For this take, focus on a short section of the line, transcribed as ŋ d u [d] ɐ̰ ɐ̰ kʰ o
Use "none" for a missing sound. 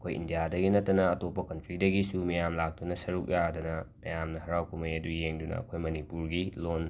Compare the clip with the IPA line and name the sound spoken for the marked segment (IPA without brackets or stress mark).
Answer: n